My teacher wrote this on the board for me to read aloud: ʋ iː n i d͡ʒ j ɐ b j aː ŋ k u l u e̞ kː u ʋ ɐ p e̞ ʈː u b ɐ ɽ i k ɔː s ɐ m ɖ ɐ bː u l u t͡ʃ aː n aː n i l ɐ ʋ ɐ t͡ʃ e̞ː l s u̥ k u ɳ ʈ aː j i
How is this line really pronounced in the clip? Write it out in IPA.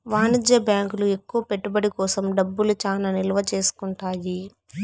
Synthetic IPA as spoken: ʋ aː n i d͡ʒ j ɐ b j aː ŋ k u l u e̞ kː u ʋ ɐ p e̞ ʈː u b ɐ ɽ i k ɔː s ɐ m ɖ ɐ bː u l u t͡ʃ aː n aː n i l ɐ ʋ ɐ t͡ʃ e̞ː s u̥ k u ɳ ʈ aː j i